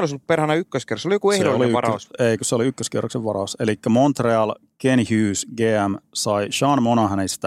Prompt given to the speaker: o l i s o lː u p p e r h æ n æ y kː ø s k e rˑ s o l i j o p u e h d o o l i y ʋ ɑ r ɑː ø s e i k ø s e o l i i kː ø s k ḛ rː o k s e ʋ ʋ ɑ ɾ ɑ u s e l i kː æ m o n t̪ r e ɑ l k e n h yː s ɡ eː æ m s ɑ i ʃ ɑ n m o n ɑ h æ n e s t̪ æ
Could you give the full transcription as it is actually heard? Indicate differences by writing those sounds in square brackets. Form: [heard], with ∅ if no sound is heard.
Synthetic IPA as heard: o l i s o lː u p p e r h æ n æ y kː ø s k e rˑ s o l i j o [k] u e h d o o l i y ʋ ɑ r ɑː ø s e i k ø s e o l i [y] kː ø s k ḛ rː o k s e ʋ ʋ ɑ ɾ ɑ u s e l i kː æ m o n t̪ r e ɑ l k e n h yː s ɡ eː æ m s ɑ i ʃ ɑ n m o n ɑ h æ n e s t̪ æ